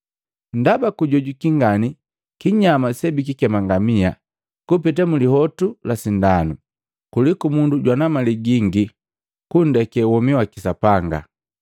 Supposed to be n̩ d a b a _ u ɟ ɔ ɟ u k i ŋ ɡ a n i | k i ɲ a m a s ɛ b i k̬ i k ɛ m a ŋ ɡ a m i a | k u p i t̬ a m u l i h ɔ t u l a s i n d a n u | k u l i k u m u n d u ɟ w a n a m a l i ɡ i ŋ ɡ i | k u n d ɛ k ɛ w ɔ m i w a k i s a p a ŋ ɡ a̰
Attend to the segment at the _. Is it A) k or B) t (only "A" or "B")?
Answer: A